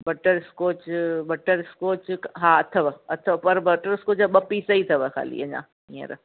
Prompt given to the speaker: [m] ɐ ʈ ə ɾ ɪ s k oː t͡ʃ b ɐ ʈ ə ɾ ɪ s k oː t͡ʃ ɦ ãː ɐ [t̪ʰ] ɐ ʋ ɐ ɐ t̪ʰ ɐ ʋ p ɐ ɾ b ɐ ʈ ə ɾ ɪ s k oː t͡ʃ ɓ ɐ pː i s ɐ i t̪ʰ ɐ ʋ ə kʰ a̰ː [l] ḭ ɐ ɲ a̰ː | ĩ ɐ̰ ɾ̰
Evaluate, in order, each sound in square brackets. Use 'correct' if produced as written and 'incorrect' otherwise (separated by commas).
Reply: incorrect, correct, correct